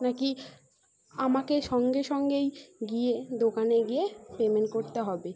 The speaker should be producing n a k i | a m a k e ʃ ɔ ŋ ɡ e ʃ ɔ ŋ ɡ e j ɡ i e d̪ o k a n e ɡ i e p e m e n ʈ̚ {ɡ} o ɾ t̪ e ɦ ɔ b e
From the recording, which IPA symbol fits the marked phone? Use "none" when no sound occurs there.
k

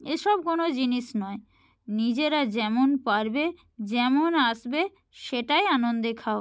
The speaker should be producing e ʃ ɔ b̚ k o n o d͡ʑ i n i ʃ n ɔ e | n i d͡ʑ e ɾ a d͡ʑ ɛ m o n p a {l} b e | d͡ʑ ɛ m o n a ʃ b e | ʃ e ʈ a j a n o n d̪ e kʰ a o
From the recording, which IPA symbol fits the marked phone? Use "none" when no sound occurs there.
ɾ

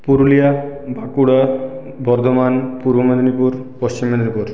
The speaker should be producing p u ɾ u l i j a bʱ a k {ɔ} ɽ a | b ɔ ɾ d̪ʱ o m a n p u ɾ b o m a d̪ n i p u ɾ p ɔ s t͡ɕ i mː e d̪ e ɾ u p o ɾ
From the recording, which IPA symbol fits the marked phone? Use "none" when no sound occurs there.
u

